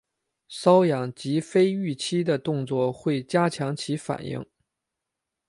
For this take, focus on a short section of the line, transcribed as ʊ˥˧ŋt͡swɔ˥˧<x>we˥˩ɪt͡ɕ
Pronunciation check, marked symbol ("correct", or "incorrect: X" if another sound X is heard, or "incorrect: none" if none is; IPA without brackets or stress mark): correct